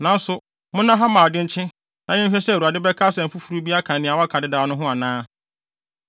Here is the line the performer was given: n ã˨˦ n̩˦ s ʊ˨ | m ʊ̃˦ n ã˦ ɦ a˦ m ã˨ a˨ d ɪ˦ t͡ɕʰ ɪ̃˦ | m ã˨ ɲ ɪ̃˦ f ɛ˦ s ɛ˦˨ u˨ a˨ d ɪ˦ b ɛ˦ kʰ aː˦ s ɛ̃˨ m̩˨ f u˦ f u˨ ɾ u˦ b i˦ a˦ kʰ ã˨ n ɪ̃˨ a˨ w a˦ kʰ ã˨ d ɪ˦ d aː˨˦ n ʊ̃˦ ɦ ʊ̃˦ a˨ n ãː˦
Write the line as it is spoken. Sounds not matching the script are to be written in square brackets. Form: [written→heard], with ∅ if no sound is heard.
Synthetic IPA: n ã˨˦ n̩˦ s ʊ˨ | m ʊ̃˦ n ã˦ ɦ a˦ m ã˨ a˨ d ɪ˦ t͡ɕʰ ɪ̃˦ | [m→n] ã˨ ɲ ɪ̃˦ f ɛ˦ s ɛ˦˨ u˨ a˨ d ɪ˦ b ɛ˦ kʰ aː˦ s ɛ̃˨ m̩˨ f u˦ f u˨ ɾ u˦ b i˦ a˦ kʰ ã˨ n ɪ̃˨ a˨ w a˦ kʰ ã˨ d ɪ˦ d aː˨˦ n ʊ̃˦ ɦ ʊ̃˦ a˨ n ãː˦